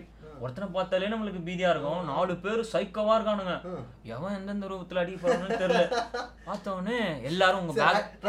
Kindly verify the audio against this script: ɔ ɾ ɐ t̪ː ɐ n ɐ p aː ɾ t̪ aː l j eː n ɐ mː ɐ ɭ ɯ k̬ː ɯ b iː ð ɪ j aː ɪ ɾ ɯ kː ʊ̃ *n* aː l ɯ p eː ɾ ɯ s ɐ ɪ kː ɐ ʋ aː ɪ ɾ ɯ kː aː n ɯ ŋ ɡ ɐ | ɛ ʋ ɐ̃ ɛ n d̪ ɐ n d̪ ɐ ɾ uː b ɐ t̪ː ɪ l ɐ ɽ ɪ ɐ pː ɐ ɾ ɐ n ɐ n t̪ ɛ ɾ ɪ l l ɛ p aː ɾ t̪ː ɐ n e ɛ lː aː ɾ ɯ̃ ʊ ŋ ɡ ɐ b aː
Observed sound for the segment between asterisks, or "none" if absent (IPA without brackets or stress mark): n